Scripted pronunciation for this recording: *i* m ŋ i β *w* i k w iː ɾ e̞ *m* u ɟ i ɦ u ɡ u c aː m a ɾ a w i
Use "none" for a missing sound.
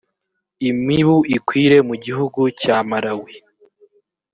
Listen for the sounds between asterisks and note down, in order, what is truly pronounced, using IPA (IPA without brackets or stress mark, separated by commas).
i, u, m